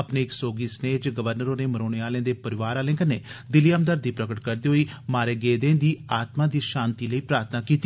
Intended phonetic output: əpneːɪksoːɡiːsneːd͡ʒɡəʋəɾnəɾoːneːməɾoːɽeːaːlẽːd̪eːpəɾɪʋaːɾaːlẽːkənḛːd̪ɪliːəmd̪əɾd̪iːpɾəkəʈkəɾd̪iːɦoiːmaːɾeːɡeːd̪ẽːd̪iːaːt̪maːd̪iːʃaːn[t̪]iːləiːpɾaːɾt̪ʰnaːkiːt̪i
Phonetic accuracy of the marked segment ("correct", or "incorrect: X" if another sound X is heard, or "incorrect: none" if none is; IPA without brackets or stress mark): correct